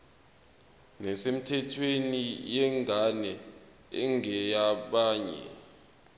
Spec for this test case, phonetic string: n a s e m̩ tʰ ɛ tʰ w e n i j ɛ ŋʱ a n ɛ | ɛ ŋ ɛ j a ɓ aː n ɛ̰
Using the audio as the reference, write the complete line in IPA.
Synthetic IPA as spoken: n ɛ s e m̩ tʰ ɛ tʰ w e n i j ɛ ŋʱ a n ɛ | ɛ ŋ ɛ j a ɓ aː ɲ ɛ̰